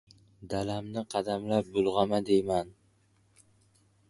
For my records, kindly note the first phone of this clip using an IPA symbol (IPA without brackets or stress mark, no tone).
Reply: d̪